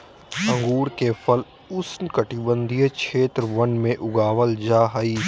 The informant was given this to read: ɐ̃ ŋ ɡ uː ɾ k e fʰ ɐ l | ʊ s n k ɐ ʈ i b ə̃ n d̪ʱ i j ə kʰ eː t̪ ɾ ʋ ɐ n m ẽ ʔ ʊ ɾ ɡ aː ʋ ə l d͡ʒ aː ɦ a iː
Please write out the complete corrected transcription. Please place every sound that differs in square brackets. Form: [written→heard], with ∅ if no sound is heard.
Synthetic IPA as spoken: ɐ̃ ŋ ɡ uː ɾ k e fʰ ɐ l | ʊ s n k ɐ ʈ i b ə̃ n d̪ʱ i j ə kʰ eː t̪ ɾ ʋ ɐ n m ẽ ʔ ʊ [ɾ→∅] ɡ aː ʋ ə l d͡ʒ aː ɦ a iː